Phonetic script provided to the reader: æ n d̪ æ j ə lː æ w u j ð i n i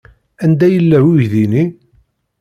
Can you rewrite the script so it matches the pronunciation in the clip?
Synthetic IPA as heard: æ n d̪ æ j ə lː æ w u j ð i n i